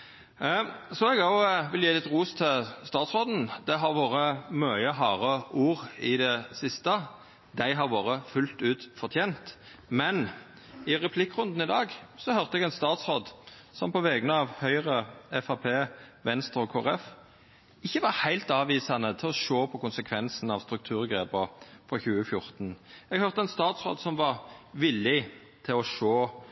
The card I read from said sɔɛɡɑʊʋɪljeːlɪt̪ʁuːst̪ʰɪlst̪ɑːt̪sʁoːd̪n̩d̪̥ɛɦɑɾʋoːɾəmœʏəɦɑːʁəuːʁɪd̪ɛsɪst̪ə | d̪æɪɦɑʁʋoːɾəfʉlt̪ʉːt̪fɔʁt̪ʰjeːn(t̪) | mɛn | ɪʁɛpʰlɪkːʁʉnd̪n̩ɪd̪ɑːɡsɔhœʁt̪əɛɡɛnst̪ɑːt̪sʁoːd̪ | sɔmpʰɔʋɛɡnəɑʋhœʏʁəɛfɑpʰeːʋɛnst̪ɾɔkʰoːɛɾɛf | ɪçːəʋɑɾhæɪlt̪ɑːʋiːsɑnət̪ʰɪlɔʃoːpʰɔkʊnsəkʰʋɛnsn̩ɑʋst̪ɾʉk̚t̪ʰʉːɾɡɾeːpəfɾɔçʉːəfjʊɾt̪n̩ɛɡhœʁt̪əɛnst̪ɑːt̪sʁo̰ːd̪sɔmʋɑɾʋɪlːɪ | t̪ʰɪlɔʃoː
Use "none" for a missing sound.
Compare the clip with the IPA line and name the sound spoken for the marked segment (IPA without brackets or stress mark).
t̪